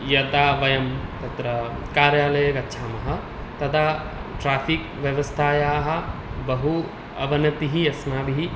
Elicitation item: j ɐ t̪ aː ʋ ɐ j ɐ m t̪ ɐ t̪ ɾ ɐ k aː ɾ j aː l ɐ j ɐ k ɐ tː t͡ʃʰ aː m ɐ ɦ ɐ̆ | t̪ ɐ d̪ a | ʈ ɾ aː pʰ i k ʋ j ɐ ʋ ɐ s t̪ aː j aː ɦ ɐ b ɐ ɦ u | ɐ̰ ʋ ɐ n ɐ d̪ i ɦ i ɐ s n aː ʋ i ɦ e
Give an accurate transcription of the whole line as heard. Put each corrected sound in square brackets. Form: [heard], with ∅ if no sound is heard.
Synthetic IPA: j ɐ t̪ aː ʋ ɐ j ɐ m t̪ ɐ t̪ ɾ ɐ k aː ɾ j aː l ɐ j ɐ k ɐ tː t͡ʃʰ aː m ɐ ɦ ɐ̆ | t̪ ɐ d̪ a | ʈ ɾ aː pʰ i k ʋ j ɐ ʋ ɐ s [t̪ʰ] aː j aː ɦ ɐ b ɐ ɦ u | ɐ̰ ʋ ɐ n ɐ [t̪] i ɦ i ɐ s n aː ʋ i ɦ [i]